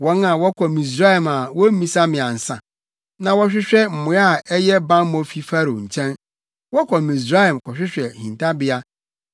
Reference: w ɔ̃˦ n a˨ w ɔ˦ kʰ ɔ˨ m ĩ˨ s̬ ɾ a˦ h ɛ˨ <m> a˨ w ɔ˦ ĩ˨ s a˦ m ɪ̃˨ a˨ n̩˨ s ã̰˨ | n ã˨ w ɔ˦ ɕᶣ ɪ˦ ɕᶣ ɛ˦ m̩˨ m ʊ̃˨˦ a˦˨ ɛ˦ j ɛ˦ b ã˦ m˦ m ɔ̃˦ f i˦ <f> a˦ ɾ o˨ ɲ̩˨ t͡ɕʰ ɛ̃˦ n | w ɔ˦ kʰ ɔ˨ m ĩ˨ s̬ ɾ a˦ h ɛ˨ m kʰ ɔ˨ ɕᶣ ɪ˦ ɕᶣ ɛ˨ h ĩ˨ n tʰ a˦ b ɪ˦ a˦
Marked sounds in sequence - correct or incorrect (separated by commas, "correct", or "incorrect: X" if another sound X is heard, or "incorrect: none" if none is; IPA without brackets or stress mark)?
correct, correct